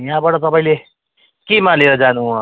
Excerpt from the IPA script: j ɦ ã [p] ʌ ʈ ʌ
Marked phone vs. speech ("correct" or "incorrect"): incorrect